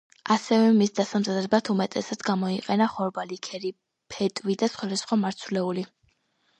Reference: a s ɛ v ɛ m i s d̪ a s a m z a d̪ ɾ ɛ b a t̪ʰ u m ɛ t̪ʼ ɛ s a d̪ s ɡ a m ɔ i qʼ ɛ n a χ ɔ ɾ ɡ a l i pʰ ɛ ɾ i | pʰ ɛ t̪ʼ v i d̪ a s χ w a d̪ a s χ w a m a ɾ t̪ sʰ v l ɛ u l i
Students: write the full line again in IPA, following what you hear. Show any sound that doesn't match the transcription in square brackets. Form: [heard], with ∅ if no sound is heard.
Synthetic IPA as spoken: a s ɛ v ɛ m i s d̪ a s a m z a d̪ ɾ ɛ b a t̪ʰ u m ɛ t̪ʼ ɛ s a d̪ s ɡ a m ɔ i qʼ ɛ n a χ ɔ ɾ [b] a l i [kʰ] ɛ ɾ i | pʰ ɛ t̪ʼ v i d̪ a s χ w a d̪ a s χ w a m a ɾ t̪ sʰ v l ɛ u l i